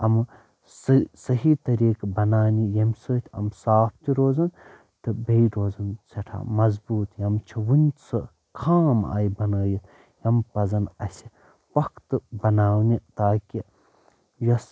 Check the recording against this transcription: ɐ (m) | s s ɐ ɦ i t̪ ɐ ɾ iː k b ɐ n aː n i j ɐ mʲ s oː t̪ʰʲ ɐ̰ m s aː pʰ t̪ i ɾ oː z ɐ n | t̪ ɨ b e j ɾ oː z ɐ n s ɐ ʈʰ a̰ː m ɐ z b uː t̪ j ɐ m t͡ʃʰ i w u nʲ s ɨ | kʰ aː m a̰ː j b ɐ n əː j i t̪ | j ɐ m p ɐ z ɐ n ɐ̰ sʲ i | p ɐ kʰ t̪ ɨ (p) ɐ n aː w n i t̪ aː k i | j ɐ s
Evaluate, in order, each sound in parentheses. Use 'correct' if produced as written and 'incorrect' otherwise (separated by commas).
correct, incorrect